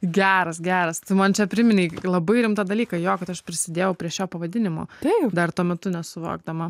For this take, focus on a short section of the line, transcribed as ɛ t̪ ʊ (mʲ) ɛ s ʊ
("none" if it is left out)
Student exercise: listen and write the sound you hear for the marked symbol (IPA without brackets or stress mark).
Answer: nʲ